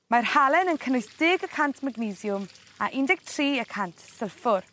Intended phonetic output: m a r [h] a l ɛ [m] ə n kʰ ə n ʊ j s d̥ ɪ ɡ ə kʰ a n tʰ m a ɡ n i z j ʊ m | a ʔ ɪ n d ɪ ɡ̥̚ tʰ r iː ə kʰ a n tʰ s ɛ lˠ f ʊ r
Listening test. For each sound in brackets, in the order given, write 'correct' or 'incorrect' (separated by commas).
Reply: correct, incorrect